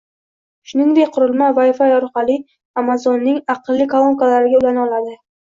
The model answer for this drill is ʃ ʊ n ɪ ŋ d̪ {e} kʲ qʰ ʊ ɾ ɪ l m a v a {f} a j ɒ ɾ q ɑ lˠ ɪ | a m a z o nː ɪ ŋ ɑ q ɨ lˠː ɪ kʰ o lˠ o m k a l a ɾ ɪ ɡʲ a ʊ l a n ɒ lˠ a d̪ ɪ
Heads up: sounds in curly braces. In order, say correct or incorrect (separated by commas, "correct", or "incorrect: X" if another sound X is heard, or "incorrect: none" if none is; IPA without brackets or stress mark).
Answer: correct, correct